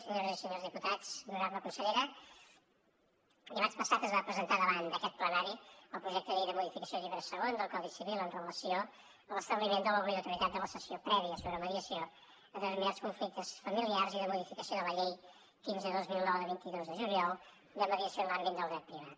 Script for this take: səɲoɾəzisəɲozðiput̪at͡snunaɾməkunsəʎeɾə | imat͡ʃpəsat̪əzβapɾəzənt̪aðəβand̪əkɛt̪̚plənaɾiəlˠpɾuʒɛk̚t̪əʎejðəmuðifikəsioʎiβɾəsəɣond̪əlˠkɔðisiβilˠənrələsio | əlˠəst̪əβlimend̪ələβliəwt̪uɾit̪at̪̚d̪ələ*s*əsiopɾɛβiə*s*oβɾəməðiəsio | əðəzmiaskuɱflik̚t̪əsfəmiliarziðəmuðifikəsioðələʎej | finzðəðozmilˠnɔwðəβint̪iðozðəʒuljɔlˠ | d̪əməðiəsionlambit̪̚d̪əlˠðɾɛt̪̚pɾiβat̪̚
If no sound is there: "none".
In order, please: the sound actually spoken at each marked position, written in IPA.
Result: s, s

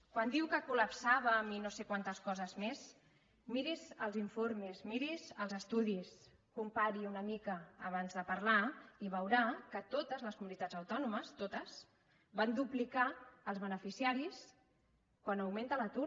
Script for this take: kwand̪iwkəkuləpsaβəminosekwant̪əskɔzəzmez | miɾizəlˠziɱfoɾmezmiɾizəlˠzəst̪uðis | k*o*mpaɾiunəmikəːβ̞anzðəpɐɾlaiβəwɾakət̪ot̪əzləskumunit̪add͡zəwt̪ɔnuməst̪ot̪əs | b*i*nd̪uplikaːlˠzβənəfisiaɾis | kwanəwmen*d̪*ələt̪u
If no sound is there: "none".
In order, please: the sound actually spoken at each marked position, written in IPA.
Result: u, a, t̪

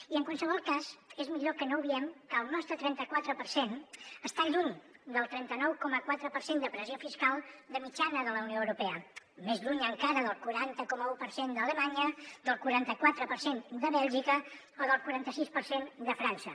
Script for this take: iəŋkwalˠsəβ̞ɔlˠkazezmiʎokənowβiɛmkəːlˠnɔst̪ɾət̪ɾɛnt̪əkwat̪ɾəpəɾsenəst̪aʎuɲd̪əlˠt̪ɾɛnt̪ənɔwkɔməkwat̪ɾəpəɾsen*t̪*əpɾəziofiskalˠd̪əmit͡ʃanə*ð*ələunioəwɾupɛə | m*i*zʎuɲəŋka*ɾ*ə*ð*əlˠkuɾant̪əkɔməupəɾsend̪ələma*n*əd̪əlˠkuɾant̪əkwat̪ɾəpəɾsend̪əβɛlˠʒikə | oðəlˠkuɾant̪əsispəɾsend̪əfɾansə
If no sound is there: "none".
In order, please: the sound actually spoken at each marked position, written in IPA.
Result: d̪, ð, e, ɾ, ð, ɲ

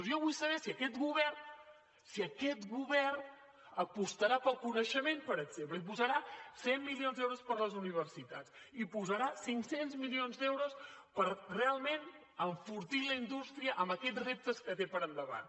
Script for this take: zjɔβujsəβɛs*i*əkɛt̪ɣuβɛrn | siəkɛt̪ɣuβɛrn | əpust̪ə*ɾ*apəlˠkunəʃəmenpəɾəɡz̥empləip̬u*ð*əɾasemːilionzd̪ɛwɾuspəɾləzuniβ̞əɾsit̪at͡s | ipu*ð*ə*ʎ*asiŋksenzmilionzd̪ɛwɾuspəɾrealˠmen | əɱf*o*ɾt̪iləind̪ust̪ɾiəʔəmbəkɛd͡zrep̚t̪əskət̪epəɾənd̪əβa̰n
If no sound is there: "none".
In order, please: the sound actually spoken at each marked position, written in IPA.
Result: i, ɾ, z, z, ɾ, u

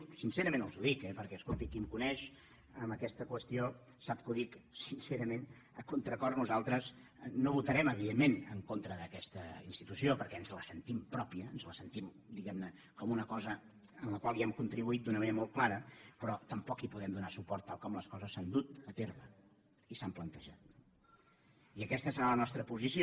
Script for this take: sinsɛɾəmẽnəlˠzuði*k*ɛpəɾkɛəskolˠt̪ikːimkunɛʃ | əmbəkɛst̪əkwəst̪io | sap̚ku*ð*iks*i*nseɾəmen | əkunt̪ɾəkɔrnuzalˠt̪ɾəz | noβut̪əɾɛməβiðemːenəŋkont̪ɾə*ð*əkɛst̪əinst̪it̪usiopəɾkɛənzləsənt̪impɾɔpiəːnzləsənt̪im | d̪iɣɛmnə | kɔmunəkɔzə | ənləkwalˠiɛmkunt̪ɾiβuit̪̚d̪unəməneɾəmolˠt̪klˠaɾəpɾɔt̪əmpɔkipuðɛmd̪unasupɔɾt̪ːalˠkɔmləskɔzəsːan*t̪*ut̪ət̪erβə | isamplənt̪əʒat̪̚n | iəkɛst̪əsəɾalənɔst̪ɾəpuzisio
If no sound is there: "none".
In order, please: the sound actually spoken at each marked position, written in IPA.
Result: k, ð, i, ð, d̪

